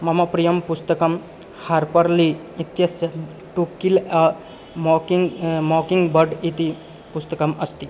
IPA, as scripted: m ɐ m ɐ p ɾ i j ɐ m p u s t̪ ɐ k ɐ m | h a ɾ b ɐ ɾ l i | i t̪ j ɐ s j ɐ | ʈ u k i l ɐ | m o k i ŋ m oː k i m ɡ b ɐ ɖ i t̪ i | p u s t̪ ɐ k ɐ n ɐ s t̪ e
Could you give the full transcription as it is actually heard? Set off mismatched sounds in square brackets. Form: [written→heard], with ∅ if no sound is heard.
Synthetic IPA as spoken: m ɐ m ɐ p ɾ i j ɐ m p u s t̪ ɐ k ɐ m | h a ɾ [b→p] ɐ ɾ l i | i t̪ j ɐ s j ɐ | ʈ u k i l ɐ | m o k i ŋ m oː k i [m→ŋ] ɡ b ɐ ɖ i t̪ i | p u s t̪ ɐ k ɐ [n→m] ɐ s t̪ [e→i]